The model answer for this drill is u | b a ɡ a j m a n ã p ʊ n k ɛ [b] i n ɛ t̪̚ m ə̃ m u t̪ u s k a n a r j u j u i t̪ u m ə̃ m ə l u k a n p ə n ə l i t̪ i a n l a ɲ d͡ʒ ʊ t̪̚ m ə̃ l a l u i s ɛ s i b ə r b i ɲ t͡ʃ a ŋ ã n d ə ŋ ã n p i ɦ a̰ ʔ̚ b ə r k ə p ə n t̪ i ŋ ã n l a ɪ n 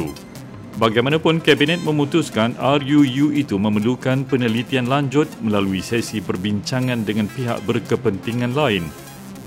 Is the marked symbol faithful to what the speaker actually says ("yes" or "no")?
yes